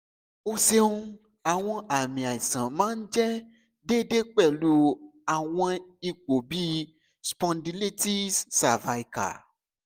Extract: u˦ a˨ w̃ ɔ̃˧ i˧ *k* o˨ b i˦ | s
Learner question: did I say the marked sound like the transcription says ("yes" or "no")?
no